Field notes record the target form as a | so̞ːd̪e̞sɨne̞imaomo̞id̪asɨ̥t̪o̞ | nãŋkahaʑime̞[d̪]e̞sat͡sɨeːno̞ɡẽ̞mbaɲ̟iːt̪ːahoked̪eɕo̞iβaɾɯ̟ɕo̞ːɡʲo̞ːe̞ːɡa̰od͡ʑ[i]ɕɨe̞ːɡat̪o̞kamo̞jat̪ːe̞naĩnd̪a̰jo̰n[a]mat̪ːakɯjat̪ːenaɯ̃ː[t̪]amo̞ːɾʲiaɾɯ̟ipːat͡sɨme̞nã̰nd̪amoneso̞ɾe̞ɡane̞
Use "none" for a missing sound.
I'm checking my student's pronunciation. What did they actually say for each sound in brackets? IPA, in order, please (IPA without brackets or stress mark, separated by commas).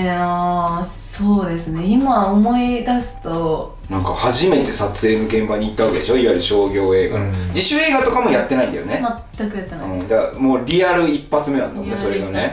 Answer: t̪, i, e, d̪